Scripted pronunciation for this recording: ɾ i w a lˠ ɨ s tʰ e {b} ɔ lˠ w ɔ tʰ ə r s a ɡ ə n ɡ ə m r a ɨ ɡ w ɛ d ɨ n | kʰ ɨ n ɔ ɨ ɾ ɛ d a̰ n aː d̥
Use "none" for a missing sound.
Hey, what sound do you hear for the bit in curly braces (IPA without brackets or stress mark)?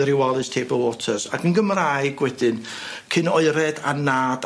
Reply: b